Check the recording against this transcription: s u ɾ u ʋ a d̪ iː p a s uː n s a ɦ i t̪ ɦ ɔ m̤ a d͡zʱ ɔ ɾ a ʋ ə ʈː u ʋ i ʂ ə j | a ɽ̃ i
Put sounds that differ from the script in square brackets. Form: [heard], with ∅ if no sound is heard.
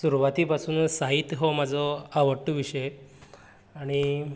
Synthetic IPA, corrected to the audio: s u ɾ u ʋ a [t̪] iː p a s uː n s a ɦ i t̪ ɦ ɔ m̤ a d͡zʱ ɔ [∅] a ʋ ə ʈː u ʋ i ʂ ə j | a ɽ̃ i